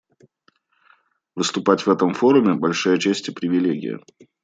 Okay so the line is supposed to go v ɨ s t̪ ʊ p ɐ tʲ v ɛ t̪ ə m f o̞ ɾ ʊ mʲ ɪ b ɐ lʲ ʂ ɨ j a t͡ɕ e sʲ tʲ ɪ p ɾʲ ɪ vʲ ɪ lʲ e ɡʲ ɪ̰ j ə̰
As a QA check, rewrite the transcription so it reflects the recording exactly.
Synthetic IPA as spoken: v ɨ s t̪ ʊ p a tʲ v ɛ t̪ ə m f o̞ ɾ ʊ mʲ ɪ b ɐ lʲ ʂ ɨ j ə t͡ɕ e sʲ tʲ ɪ p ɾʲ ɪ vʲ ɪ lʲ e ɡʲ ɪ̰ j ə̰